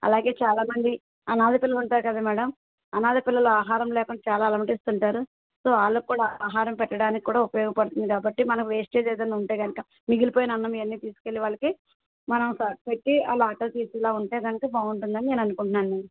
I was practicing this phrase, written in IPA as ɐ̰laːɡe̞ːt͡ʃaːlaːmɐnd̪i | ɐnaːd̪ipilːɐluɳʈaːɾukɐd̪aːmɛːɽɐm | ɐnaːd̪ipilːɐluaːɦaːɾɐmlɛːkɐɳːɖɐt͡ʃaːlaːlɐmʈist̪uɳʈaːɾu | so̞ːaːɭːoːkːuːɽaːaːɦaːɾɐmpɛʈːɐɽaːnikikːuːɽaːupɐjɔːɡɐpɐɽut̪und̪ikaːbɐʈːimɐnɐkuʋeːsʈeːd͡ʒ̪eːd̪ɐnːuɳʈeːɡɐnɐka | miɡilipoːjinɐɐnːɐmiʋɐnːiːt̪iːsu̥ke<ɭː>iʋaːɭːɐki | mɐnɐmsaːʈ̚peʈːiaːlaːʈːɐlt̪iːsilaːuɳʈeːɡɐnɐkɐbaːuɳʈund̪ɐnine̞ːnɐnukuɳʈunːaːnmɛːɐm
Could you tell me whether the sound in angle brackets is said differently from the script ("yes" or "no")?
yes